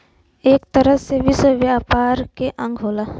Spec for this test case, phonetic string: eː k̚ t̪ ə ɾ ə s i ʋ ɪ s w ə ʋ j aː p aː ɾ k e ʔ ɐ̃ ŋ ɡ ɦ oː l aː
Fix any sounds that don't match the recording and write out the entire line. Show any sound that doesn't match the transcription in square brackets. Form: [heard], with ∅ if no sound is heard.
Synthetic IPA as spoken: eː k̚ t̪ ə ɾ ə s [e] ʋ ɪ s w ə ʋ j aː p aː ɾ k e ʔ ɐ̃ ŋ ɡ ɦ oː l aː

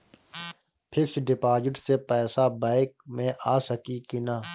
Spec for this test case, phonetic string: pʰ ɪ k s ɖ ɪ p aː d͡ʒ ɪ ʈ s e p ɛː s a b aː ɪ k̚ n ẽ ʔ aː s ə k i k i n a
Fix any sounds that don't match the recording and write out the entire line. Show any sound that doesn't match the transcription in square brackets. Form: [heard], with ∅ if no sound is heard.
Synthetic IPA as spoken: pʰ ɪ k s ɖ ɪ p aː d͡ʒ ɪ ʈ s e p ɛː s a b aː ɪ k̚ [m] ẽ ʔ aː s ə k i k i n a

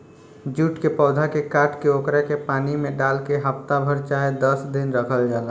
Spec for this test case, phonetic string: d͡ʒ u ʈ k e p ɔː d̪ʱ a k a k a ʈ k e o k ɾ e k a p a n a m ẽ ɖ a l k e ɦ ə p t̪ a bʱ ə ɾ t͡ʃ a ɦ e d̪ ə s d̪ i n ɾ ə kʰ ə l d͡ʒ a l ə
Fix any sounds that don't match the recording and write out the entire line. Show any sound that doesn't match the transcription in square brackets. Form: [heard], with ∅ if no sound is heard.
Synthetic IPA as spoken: d͡ʒ u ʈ k e p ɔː d̪ʱ a k [e] k a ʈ k e o k ɾ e k [e] p a n [i] m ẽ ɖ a l k e ɦ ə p t̪ a bʱ ə ɾ t͡ʃ a ɦ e d̪ ə s d̪ i n ɾ ə kʰ ə l d͡ʒ a l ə

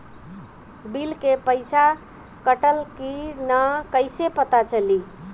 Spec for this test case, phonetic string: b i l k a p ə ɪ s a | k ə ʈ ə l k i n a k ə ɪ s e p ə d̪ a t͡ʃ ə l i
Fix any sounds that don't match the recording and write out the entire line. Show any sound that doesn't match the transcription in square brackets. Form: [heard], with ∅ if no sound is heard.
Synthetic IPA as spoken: b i l k [e] p ə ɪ s a | k ə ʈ ə l k i n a k ə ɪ s e p ə [t̪] a t͡ʃ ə l i

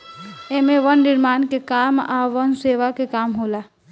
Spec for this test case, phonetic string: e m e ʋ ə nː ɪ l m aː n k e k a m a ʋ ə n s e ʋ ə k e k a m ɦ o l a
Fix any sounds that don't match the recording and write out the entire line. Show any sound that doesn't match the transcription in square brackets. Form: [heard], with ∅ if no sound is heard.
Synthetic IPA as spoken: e m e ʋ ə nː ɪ [ɾ] m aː n k e k a m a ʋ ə n s e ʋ [a] k e k a m ɦ o l a

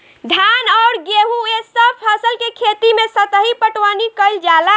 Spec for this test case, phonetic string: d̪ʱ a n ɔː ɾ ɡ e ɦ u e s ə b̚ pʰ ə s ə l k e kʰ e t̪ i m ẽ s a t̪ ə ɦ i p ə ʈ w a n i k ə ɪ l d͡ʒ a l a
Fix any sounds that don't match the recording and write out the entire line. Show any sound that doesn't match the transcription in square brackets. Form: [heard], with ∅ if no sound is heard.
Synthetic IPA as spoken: d̪ʱ a n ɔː ɾ ɡ e ɦ u e s ə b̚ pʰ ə s ə l k e kʰ e t̪ i m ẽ s [ə] t̪ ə ɦ i p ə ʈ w a n i k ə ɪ l d͡ʒ a l a

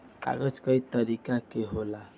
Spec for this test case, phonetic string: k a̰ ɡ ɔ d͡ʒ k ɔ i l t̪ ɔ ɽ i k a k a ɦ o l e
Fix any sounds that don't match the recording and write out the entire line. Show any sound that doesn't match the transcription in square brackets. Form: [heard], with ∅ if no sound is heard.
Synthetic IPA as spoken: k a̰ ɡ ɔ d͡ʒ k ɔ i [∅] t̪ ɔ [ɾ] i k a k [e] ɦ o l [a]

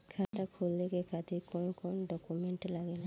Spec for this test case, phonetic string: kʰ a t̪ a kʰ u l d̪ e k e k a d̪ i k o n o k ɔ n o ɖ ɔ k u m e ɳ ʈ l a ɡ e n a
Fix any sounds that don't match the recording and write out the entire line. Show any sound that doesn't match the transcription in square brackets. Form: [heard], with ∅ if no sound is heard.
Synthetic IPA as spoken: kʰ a t̪ a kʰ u l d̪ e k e k a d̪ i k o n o k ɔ n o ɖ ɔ k u m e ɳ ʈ l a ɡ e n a

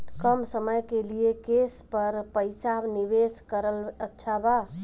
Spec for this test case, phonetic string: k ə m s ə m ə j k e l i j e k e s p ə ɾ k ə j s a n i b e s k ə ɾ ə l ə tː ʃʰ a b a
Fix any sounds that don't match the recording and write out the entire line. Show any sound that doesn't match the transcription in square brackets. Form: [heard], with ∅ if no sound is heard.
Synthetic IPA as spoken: k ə m s ə m ə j k e l i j e k e s p ə ɾ [p] ə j s a n i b e s k ə ɾ ə l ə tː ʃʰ a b a

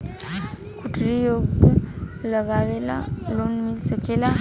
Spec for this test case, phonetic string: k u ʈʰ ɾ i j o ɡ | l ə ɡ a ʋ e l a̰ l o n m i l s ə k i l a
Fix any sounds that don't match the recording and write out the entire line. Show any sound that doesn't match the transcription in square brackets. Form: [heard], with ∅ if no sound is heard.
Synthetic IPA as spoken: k u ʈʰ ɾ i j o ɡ | l ə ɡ a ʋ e l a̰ l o n m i l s ə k [e] l a

